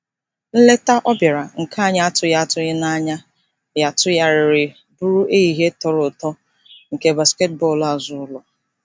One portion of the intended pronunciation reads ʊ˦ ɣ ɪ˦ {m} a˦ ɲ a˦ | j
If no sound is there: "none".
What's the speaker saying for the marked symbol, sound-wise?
n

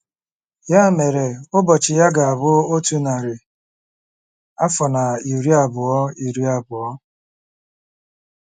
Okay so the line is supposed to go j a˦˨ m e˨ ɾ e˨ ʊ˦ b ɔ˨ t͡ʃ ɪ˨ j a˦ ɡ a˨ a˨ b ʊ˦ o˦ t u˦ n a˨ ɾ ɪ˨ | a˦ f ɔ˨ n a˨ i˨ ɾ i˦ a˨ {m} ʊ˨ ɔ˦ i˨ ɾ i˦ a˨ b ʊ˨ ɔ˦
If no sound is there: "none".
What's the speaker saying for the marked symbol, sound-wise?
b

